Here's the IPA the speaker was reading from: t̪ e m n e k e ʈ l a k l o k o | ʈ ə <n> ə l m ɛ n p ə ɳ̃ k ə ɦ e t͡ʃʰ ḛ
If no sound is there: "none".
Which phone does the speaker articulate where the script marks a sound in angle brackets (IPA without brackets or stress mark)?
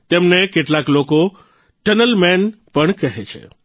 n